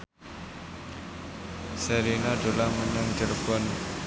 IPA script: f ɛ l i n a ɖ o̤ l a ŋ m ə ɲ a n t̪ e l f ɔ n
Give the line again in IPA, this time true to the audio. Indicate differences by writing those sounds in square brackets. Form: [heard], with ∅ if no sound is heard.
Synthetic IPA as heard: [s] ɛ [ɾ] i n a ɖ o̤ l a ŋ m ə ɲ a [ŋ] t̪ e l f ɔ n